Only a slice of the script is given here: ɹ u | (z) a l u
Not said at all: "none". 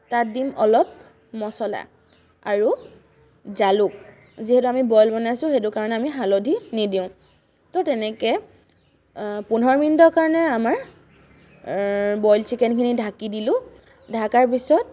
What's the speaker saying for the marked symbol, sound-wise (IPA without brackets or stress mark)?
z